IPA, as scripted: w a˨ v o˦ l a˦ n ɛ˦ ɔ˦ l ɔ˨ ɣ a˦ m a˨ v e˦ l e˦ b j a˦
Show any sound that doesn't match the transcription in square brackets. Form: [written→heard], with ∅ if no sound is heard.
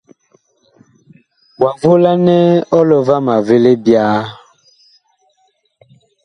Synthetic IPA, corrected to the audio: w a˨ v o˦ l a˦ n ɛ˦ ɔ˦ l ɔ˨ [ɣ→v] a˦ m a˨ v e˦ l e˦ b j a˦